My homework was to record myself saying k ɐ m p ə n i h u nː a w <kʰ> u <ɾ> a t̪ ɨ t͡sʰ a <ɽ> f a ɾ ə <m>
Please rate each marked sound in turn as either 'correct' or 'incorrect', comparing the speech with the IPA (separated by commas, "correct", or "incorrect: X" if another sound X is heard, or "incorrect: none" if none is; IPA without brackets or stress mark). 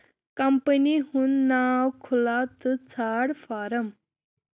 correct, incorrect: l, correct, correct